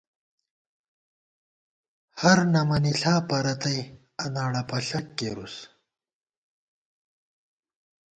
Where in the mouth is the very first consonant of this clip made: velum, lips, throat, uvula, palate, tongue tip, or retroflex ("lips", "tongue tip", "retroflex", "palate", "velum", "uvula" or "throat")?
throat